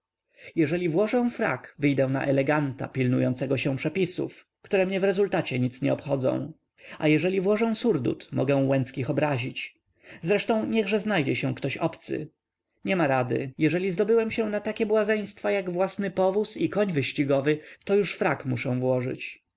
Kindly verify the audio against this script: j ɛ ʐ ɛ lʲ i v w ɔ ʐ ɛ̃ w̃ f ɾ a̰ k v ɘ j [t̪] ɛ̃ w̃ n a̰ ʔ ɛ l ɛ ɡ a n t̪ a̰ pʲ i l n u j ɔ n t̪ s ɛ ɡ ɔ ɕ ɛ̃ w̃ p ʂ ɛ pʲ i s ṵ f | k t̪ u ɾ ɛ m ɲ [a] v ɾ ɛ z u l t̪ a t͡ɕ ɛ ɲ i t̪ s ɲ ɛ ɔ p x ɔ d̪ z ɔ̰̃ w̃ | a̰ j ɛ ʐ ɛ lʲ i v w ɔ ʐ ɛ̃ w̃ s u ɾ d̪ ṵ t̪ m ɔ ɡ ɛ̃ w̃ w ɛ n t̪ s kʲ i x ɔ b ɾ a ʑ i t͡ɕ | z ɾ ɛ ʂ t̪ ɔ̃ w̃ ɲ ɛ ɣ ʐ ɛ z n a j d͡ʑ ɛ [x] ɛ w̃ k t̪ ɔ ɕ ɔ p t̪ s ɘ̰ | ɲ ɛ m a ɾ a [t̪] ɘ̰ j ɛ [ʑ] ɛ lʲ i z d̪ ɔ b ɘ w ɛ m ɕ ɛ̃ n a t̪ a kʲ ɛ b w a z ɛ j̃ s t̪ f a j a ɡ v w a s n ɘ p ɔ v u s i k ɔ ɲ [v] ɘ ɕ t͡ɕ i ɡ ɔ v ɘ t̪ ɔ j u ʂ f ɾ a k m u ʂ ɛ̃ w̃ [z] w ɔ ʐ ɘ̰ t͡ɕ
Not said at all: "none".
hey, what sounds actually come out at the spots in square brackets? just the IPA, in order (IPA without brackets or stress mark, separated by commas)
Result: d̪, ɛ, ɕ, d̪, ʐ, v, v